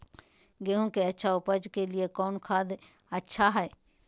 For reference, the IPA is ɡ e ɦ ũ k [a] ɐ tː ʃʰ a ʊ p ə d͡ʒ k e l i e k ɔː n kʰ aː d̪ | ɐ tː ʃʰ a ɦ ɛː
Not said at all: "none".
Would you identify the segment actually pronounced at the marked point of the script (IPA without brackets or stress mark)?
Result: e